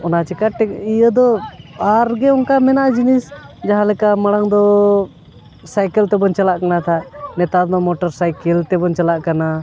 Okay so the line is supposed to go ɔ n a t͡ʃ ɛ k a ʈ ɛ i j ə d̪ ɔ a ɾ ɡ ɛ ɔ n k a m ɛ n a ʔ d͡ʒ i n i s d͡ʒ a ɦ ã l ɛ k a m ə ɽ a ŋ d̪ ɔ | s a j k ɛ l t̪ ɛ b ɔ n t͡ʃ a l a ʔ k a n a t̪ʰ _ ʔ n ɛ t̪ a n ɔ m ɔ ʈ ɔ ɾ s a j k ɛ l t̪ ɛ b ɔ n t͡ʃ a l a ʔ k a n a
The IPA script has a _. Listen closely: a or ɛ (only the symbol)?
a